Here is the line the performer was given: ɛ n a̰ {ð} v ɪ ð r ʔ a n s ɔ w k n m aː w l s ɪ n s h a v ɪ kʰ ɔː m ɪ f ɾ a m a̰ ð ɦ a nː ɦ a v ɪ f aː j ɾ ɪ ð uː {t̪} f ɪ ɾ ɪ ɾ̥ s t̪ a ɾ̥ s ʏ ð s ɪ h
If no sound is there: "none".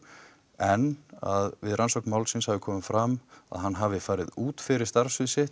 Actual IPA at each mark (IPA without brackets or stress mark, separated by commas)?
ð, t̪